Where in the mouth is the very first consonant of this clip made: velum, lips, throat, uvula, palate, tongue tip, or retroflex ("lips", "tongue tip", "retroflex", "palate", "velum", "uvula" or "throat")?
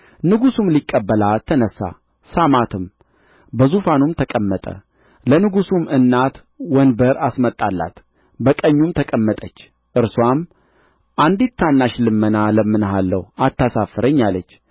tongue tip